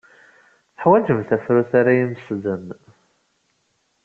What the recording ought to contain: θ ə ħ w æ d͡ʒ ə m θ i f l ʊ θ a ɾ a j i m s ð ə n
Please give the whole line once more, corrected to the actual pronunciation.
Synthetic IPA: θ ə ħ w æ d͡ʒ ə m θ æ f ɾ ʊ θ a ɾ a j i m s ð ə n